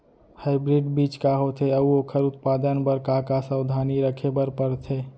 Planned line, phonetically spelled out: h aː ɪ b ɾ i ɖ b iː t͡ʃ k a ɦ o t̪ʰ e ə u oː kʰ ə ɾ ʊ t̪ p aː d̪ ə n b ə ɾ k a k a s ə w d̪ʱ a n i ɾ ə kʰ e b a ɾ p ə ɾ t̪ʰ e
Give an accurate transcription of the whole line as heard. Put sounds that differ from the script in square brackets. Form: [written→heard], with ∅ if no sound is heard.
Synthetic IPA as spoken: h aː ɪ b ɾ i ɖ b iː t͡ʃ k a ɦ o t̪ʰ e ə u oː kʰ ə ɾ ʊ t̪ p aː d̪ ə n b ə ɾ k a k a s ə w d̪ʱ a n i ɾ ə kʰ e b [a→ə] ɾ p ə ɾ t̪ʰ e